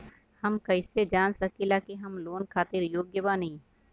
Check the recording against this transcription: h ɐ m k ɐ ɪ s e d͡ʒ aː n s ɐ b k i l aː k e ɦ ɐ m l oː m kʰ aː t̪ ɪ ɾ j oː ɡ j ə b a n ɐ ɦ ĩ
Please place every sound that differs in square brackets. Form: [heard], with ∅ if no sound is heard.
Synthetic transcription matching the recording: h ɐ m k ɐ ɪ s e d͡ʒ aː n s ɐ [∅] k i l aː k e ɦ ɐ m l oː [n] kʰ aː t̪ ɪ ɾ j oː ɡ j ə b a n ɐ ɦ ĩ